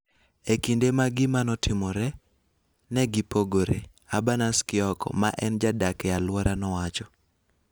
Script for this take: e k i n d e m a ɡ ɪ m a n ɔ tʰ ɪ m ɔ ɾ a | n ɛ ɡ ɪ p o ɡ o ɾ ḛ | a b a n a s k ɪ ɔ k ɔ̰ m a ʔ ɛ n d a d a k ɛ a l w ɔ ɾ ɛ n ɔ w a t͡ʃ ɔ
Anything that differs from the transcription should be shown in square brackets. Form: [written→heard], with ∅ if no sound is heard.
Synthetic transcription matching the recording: e k i n d e m a ɡ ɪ m a n ɔ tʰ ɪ m ɔ ɾ [a→ɛ] | n ɛ ɡ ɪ p o ɡ o ɾ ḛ | a b a n a s k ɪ ɔ k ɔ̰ m a ʔ ɛ n [d→d͡ʒ] a d a k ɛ a l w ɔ ɾ [ɛ→a] n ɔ w a t͡ʃ ɔ